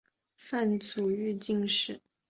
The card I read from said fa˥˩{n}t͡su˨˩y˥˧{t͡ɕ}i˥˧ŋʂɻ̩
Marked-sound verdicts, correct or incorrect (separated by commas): correct, correct